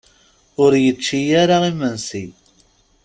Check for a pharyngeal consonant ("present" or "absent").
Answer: absent